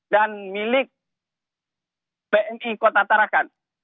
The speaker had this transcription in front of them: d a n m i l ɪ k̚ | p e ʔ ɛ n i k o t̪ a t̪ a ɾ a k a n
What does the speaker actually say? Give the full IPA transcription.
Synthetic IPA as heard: d a n m i l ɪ k̚ | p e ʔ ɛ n i k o t̪ a t̪ a ɾ a k a n